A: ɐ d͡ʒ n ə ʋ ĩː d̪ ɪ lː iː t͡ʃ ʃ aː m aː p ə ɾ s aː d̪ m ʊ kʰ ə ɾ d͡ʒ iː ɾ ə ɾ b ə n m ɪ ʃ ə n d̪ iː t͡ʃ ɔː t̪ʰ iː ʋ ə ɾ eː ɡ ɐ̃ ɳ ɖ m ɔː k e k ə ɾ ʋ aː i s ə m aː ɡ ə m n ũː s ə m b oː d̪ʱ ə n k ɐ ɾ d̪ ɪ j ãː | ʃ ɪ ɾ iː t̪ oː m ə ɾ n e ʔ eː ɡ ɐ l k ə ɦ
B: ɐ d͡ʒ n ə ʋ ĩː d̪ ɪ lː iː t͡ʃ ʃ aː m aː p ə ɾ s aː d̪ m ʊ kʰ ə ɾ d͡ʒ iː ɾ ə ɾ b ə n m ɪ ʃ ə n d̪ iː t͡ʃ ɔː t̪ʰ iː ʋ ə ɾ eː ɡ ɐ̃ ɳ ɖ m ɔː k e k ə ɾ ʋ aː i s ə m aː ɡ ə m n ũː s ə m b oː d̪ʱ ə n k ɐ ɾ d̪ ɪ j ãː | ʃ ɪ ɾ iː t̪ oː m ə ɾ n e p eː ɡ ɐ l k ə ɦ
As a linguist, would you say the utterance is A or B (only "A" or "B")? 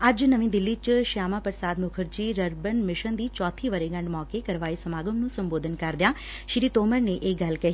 A